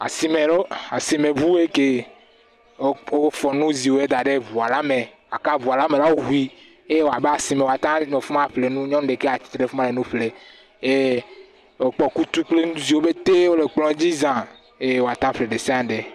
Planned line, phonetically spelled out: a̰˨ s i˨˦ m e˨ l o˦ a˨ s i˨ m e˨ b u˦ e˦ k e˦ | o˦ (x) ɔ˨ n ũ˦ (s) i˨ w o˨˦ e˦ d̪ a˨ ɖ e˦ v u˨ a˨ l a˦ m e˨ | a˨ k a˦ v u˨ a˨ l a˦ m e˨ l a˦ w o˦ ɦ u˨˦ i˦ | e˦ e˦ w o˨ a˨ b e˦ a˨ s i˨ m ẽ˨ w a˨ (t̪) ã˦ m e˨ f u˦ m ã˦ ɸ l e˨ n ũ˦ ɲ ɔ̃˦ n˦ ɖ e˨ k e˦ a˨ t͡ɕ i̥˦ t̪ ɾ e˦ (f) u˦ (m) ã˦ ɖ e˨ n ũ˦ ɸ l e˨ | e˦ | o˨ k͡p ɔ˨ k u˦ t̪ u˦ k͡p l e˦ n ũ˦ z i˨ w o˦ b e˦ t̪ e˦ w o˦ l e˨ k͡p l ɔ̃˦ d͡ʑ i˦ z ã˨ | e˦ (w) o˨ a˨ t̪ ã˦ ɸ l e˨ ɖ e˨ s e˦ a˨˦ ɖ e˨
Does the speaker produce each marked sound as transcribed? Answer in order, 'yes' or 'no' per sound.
no, no, yes, yes, yes, yes

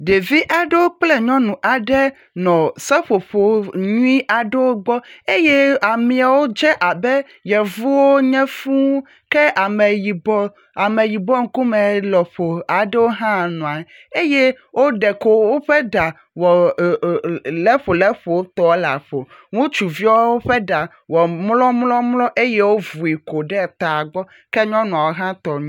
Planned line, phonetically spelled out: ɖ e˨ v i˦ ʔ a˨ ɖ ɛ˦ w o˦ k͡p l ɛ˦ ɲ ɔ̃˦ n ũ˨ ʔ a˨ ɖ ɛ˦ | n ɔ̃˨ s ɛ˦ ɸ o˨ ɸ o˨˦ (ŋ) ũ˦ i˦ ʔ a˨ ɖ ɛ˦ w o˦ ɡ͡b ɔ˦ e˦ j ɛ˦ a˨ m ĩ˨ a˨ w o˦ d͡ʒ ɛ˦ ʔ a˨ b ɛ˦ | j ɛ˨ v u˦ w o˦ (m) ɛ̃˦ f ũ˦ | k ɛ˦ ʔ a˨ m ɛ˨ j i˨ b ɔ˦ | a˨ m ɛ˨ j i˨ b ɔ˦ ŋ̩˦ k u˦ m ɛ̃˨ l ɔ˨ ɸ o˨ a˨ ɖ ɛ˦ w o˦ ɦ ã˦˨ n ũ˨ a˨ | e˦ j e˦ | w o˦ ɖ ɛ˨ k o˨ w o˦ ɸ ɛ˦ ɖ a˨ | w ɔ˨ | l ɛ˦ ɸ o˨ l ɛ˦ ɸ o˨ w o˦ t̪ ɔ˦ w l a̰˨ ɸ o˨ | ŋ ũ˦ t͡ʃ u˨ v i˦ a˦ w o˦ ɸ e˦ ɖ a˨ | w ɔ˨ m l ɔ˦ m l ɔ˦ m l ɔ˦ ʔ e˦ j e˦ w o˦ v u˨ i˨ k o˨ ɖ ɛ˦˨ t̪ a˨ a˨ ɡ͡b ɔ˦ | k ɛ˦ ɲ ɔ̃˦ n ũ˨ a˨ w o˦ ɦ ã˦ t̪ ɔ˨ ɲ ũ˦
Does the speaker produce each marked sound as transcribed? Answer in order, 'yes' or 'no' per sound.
no, no

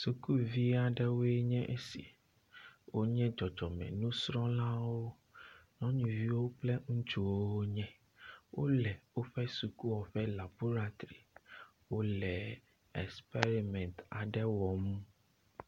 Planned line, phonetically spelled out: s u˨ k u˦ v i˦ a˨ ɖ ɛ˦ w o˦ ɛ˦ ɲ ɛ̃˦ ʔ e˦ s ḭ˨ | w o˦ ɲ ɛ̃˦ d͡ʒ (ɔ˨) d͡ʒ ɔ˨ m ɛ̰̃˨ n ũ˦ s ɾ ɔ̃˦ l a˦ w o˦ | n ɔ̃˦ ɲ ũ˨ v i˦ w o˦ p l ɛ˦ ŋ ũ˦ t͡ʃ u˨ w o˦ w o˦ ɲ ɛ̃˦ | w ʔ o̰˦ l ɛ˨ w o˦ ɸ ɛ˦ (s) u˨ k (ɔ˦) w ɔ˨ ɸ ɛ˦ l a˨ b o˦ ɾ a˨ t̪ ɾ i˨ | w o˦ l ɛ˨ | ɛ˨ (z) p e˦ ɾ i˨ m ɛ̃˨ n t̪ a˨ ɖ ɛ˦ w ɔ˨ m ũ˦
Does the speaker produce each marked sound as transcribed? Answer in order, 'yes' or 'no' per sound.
yes, yes, no, no

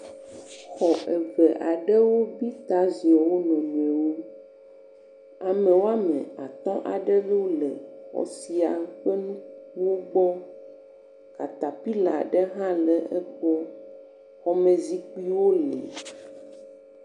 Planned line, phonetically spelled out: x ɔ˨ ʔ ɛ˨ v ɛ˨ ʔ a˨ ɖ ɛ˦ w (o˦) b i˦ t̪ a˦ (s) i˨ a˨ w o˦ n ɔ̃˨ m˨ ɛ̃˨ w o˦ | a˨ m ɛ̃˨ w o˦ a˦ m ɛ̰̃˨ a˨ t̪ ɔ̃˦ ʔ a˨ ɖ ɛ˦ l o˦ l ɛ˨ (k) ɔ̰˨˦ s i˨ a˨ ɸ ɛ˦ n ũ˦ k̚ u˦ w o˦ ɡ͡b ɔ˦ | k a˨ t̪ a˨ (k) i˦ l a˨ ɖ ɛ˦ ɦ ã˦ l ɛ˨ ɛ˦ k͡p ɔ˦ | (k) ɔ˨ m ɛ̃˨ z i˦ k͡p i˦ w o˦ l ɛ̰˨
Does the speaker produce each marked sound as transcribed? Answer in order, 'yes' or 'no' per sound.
yes, no, no, no, no

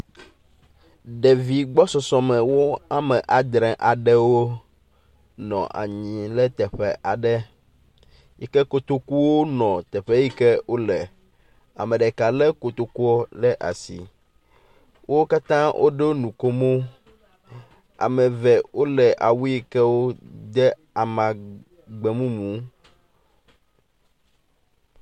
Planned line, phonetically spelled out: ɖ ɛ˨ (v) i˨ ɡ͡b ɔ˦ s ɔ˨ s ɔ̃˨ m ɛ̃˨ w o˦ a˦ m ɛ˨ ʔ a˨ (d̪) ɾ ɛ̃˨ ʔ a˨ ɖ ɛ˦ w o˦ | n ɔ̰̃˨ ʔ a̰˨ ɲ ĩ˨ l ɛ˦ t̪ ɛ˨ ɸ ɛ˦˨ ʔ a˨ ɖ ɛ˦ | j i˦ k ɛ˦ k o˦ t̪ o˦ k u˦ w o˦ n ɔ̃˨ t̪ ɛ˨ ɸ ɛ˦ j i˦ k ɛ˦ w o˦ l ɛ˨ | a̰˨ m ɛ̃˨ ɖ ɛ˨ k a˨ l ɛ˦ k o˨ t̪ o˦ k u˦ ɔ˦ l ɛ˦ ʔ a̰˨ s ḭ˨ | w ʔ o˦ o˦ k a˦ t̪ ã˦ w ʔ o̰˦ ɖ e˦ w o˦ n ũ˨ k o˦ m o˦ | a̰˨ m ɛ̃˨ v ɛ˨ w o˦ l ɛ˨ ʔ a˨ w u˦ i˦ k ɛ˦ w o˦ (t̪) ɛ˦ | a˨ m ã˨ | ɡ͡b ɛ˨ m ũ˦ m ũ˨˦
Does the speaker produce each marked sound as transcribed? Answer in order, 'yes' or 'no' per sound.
yes, yes, no

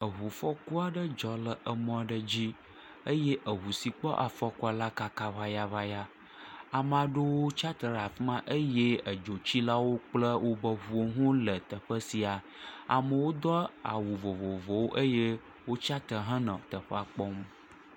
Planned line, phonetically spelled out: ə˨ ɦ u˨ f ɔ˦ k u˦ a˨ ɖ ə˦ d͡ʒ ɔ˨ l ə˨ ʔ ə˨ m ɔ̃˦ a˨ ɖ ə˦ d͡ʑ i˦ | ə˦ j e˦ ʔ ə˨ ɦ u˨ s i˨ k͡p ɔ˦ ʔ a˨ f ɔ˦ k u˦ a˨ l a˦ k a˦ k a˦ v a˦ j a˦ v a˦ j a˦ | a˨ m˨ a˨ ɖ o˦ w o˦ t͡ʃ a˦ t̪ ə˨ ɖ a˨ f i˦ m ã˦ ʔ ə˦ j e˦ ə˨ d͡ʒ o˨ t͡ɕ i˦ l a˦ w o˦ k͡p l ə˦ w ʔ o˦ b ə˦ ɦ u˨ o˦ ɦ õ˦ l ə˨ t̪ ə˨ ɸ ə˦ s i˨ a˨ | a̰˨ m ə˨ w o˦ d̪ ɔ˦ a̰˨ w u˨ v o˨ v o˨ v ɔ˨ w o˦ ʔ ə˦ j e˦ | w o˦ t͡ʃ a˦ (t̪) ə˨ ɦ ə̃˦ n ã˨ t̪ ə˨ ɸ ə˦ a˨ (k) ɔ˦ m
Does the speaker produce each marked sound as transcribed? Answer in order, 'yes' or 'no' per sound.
yes, no

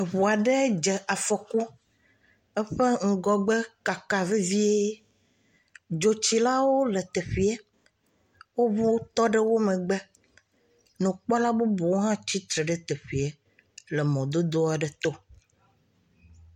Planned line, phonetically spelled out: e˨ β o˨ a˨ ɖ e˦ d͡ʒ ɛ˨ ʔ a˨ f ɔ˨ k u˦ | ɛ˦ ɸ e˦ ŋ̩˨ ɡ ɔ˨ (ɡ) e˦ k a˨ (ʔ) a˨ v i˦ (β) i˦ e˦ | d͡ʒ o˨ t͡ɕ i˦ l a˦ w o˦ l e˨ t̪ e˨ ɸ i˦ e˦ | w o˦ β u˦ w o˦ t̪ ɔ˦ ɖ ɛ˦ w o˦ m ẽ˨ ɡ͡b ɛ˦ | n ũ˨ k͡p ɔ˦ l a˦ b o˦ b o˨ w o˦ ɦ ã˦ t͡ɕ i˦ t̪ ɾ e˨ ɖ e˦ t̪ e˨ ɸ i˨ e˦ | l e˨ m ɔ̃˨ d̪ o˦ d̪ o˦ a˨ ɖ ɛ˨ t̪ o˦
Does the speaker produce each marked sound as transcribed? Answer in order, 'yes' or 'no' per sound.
no, no, no

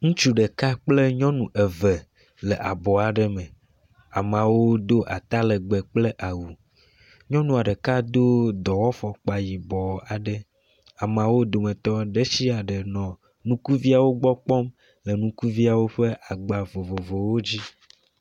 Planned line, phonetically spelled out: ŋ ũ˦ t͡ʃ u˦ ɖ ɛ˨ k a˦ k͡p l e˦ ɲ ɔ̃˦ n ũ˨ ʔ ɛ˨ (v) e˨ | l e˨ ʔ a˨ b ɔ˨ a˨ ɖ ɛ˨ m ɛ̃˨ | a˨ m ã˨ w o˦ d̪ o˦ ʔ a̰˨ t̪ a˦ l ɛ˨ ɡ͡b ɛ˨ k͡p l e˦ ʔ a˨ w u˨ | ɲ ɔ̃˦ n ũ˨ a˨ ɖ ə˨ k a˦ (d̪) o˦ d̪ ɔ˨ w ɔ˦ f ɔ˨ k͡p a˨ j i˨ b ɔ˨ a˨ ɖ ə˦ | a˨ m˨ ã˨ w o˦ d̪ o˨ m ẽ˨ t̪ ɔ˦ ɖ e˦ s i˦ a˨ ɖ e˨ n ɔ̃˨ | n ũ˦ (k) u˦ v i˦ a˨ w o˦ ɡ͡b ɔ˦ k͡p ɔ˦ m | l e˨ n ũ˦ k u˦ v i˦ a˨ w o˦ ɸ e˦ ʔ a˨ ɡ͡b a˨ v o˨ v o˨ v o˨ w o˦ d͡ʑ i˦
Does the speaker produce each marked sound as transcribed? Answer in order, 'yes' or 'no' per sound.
yes, yes, yes

